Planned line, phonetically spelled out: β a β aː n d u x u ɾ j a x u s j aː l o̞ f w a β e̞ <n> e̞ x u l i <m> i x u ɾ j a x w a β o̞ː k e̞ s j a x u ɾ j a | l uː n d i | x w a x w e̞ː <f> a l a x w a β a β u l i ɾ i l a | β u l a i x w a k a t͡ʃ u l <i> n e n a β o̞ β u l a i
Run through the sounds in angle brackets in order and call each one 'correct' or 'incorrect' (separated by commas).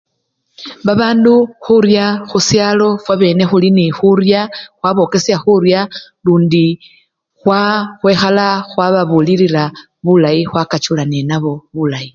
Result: correct, incorrect, incorrect, incorrect